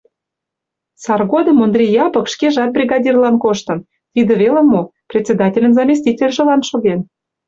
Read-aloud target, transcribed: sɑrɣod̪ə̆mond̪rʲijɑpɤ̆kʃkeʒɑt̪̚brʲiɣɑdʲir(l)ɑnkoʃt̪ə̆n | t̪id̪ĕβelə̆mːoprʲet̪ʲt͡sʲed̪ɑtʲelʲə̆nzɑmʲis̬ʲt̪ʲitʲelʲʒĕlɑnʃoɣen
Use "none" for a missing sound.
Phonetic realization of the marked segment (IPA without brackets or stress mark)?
l